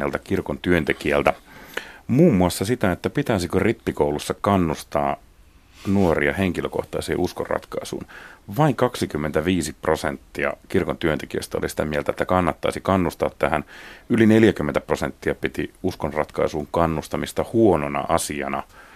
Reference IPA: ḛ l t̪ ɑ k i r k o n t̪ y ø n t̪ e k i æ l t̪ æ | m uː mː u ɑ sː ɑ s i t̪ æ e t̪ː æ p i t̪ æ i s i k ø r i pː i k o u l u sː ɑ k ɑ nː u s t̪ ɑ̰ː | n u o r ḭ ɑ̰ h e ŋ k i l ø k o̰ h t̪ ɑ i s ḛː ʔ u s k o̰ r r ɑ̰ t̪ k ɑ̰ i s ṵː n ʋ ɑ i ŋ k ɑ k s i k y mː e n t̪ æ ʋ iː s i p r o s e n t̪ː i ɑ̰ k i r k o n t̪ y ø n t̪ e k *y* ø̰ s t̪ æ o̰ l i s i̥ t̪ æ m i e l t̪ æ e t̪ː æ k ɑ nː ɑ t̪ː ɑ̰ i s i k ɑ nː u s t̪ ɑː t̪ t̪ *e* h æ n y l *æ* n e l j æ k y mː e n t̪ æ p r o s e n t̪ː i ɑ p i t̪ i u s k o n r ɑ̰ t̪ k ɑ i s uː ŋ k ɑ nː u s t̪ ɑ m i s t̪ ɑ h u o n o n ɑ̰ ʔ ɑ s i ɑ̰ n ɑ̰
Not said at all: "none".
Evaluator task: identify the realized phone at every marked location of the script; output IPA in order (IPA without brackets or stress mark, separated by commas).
i, æ, i